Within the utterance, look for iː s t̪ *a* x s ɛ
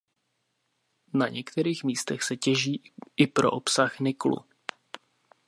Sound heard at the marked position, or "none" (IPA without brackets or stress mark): ɛ